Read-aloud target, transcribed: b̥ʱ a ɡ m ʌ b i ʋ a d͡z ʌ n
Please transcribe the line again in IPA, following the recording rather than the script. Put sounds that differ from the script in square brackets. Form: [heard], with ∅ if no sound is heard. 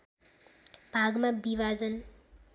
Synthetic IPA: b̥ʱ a ɡ m [a] b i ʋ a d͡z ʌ n